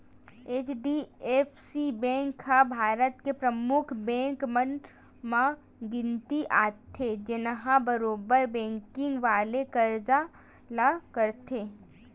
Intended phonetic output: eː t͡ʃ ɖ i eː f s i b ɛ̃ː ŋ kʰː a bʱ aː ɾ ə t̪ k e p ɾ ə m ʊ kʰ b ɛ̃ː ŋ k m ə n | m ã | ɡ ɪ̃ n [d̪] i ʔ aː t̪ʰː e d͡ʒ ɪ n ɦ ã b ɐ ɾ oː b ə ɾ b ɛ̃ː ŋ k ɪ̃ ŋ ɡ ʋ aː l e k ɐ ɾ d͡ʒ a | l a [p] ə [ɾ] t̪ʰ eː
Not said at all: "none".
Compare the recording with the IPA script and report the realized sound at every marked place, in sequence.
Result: t̪, k, ɾ

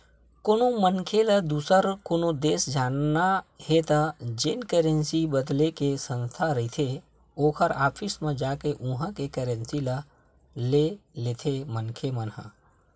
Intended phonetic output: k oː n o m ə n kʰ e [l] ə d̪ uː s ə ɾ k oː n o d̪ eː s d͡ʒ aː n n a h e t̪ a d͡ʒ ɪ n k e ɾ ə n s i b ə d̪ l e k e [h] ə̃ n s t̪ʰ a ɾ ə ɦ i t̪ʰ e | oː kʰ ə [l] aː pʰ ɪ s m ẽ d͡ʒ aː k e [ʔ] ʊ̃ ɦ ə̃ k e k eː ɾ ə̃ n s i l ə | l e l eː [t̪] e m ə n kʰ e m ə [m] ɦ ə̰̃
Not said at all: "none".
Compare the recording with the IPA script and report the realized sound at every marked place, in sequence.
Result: l, s, ɾ, ʔ, t̪ʰ, n

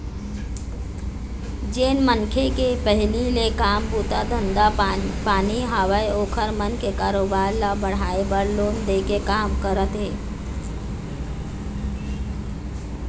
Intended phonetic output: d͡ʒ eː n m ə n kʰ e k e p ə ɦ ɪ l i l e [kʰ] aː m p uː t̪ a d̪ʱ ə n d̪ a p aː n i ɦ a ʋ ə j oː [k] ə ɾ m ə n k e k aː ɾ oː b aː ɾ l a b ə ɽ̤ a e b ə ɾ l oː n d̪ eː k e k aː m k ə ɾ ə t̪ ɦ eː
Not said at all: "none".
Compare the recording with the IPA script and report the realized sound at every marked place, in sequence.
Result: k, kʰ

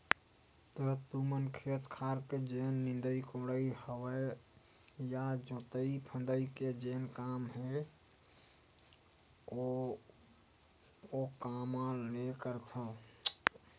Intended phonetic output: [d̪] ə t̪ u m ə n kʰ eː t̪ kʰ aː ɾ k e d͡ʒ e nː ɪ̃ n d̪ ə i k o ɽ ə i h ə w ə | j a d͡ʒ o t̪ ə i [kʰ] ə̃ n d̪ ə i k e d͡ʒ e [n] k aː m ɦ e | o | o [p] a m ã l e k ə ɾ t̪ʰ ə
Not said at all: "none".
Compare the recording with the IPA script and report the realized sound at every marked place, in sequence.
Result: t̪, pʰ, n, k

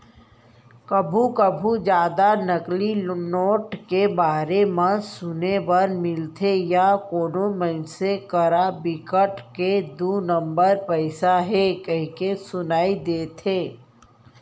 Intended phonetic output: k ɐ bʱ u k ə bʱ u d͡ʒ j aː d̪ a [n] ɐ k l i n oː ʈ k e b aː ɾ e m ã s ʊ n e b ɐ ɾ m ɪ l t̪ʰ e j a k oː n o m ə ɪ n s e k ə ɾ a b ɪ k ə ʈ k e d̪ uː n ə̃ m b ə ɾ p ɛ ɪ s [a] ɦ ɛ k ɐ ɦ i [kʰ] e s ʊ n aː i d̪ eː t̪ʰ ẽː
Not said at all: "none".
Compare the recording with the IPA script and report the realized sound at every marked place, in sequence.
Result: n, a, k

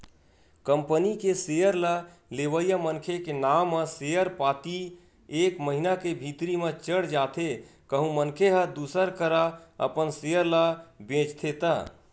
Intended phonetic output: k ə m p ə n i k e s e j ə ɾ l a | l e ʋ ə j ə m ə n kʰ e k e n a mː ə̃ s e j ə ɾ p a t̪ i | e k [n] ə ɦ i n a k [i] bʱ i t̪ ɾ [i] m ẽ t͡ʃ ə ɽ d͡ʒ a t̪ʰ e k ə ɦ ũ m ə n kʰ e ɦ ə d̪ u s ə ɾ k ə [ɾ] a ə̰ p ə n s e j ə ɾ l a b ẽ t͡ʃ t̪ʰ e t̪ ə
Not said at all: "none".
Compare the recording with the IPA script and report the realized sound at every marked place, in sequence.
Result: m, e, i, ɾ

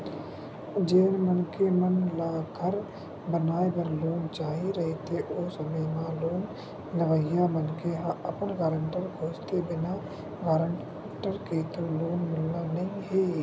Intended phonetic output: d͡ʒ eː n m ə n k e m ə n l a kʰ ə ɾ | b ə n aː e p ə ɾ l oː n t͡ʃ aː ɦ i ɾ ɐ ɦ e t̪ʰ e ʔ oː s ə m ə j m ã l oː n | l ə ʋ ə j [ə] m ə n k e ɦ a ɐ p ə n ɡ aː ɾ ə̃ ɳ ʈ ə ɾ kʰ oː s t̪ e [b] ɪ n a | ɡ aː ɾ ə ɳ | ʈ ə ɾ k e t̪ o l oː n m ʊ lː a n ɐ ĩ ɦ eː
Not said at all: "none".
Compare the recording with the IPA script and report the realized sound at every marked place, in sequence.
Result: a, b

